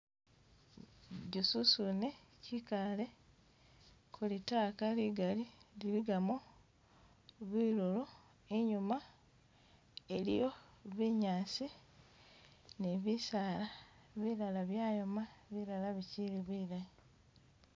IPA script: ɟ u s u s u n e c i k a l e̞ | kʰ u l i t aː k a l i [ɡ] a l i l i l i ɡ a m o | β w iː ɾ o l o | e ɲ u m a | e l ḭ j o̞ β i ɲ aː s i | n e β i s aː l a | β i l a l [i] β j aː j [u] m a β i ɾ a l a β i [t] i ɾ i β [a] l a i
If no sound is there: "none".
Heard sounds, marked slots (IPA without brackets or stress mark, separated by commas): ɡ, a, o, c, i